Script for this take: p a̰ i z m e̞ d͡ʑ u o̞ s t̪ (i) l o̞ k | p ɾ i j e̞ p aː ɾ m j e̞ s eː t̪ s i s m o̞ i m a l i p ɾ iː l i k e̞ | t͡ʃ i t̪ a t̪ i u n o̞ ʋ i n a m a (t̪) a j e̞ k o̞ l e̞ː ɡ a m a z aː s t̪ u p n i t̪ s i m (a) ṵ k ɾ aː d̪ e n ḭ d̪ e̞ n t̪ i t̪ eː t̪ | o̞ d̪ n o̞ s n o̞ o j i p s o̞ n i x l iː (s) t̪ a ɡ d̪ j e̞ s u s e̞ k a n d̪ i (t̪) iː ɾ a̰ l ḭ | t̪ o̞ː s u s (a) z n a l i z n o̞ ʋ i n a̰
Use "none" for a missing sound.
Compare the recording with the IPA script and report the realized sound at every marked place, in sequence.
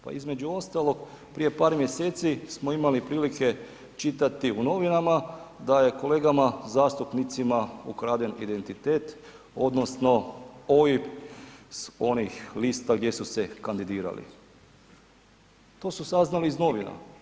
a, d̪, a, s, d̪, a

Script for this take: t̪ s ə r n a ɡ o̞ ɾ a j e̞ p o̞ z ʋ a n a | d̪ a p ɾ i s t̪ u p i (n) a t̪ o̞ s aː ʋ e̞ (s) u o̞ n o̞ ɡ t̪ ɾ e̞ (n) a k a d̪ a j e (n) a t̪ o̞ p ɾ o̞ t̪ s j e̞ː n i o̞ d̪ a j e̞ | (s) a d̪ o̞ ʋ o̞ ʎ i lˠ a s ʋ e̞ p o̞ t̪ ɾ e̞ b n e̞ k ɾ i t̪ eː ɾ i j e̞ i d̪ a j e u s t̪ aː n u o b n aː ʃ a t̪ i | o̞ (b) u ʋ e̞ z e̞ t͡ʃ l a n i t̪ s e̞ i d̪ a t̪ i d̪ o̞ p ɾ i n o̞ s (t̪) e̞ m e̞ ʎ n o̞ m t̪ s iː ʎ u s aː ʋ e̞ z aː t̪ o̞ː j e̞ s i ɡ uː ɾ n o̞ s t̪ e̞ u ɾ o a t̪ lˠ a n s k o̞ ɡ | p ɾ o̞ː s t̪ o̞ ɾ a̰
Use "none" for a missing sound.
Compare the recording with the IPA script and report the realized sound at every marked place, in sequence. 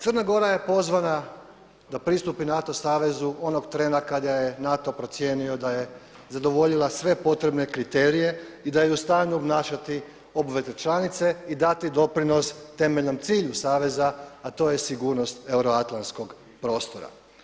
n, z, n, n, z, b, t̪

